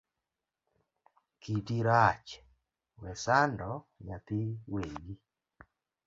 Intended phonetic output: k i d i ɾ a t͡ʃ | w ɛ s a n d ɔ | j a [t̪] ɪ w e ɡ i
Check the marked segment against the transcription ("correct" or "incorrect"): correct